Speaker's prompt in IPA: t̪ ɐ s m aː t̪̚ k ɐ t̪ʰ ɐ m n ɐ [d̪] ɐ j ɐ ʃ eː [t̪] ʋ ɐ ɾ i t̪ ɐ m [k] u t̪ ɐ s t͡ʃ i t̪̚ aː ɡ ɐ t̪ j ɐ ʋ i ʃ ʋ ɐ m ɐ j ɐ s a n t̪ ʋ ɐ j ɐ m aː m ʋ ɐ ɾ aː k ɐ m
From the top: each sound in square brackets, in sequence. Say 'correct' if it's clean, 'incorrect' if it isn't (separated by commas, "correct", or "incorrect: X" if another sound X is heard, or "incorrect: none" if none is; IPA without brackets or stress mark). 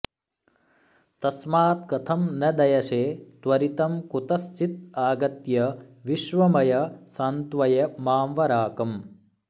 correct, correct, correct